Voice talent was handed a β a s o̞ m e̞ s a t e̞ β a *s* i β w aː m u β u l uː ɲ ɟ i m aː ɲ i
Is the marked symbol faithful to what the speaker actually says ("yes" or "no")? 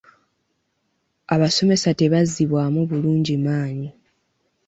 no